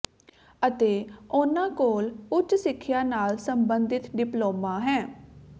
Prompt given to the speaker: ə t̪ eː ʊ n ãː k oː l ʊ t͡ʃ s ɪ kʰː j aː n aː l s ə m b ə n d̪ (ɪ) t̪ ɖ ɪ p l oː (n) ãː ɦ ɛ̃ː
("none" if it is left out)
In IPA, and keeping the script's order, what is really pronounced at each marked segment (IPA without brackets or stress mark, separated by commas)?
ɪ, m